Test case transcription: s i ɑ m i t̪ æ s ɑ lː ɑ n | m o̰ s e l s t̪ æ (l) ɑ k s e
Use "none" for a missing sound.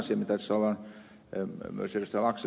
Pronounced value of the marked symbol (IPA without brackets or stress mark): l